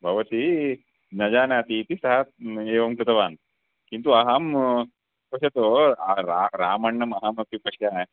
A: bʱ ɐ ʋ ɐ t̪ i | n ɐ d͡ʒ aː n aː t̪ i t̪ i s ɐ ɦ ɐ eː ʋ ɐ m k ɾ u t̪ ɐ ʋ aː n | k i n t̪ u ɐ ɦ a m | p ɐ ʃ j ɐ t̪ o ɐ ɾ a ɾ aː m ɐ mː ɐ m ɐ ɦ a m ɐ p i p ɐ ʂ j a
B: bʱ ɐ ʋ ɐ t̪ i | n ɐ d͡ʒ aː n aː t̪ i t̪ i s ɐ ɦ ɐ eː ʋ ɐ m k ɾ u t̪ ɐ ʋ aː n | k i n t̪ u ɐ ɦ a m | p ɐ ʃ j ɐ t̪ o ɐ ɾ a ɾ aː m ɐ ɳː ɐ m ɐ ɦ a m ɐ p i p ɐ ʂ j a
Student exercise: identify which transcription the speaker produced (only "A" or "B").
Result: B